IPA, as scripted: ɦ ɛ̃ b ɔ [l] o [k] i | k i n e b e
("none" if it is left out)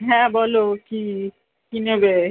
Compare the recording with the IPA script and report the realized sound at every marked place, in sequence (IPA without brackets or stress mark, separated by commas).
l, k